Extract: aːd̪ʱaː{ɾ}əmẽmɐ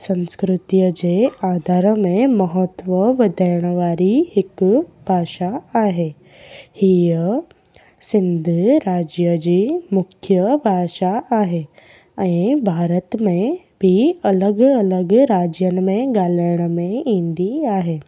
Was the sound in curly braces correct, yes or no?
yes